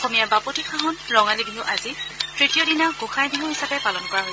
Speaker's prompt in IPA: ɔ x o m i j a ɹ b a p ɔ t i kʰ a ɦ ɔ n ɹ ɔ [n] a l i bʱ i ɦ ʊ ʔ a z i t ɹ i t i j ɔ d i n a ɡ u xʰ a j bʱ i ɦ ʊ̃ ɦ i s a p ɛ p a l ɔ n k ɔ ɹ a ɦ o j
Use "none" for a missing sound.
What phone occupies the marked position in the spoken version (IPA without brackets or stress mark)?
ŋ